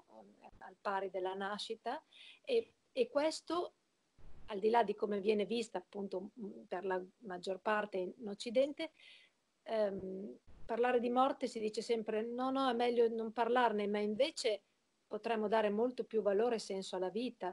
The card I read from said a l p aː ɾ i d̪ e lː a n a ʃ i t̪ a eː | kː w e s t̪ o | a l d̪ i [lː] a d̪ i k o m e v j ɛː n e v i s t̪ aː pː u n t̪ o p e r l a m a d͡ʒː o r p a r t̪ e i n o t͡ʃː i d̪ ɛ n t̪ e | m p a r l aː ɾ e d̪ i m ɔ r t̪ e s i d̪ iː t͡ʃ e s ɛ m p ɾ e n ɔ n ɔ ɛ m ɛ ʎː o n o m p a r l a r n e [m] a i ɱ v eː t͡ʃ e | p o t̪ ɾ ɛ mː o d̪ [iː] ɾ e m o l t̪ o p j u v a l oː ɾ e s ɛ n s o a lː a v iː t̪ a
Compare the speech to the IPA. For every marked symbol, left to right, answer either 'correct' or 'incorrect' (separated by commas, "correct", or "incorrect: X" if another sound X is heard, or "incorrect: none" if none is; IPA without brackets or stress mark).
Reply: incorrect: l, correct, incorrect: aː